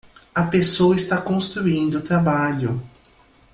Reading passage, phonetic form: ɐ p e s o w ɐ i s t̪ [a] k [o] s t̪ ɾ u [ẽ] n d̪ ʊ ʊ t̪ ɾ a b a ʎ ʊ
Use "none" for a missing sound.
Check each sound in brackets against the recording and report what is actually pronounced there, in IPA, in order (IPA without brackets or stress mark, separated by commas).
a, õ, ĩ